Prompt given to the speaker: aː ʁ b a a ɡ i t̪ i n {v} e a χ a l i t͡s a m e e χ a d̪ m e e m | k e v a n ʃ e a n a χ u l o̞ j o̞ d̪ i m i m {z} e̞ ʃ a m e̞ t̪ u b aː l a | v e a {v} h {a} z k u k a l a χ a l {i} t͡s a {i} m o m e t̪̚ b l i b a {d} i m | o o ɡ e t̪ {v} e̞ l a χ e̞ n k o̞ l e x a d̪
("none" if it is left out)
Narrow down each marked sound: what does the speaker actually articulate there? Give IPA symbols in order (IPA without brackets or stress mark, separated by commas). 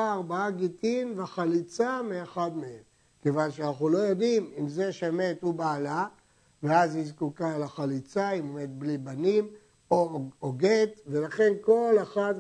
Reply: v, z, z, i, i, i, n, v